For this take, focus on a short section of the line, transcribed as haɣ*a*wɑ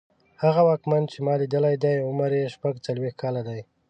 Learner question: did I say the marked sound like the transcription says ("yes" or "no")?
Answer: yes